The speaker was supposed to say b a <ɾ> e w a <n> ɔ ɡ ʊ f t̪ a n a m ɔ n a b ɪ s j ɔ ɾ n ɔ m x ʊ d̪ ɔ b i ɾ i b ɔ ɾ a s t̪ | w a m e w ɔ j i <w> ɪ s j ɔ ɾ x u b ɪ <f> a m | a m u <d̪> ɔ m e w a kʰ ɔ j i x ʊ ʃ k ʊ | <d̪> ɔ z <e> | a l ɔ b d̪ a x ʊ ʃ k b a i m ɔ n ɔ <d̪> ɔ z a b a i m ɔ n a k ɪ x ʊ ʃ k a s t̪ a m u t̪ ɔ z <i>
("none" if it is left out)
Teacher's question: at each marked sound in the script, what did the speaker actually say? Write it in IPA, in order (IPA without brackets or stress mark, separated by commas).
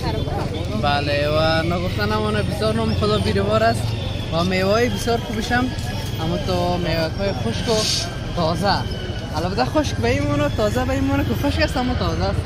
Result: l, n, b, ʃ, t̪, t̪, a, t̪, a